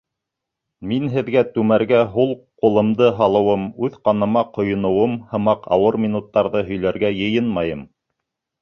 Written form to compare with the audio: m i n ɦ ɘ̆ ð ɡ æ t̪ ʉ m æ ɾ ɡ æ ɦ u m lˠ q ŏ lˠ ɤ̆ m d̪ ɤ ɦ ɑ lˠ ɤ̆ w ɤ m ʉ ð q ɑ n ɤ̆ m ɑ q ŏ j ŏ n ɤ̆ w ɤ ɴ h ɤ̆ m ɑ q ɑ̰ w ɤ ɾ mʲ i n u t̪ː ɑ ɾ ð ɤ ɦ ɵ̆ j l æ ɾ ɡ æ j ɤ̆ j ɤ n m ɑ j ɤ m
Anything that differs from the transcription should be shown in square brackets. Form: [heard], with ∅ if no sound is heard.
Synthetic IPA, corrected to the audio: m i n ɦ ɘ̆ ð ɡ æ t̪ ʉ m æ ɾ ɡ æ ɦ u [∅] lˠ q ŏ lˠ ɤ̆ m d̪ ɤ ɦ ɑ lˠ ɤ̆ w ɤ m ʉ ð q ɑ n ɤ̆ m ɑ q ŏ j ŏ n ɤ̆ w ɤ [m] h ɤ̆ m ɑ q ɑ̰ w ɤ ɾ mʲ i n u t̪ː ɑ ɾ ð ɤ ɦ ɵ̆ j l æ ɾ ɡ æ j ɤ̆ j ɤ n m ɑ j ɤ m